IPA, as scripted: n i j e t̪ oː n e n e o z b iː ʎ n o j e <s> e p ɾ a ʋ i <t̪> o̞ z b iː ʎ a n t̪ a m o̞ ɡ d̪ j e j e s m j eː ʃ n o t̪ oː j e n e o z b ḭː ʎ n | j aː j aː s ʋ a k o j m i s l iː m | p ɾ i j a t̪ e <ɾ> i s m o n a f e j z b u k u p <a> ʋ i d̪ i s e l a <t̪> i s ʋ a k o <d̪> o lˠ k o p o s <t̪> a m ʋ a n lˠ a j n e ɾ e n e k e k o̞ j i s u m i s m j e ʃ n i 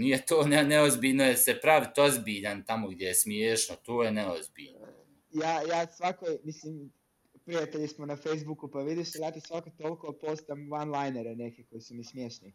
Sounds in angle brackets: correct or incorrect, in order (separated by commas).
correct, correct, incorrect, correct, correct, incorrect, correct